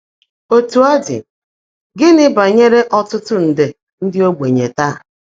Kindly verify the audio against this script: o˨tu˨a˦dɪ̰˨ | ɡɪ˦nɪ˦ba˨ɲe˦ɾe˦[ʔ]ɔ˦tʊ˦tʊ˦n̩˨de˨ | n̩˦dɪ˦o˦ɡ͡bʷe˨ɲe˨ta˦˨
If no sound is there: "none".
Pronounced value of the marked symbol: ʔ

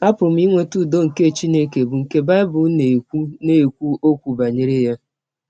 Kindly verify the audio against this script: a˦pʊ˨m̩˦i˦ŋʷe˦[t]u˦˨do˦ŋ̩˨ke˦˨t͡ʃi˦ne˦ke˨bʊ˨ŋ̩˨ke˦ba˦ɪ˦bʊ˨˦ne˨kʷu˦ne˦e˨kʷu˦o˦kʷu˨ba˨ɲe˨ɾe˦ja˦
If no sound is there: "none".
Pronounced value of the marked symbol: t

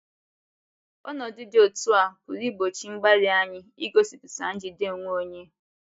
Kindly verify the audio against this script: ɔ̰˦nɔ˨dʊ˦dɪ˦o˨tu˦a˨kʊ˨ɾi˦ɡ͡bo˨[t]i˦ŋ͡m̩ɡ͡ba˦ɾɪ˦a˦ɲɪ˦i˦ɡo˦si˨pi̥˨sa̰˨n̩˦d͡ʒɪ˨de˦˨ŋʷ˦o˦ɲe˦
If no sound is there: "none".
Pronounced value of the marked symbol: t͡ʃ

